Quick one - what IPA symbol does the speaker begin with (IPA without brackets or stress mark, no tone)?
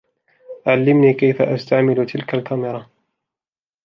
ʕ